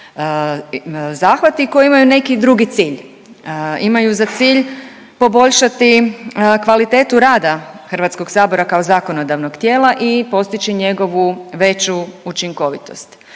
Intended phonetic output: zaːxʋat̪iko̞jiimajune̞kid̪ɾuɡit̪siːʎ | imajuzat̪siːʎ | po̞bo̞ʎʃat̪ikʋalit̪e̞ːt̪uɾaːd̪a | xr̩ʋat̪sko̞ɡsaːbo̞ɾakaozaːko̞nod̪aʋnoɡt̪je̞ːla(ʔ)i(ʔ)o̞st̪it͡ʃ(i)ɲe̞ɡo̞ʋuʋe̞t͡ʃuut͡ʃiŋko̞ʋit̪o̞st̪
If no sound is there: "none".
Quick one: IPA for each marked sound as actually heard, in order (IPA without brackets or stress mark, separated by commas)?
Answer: ʔ, p, i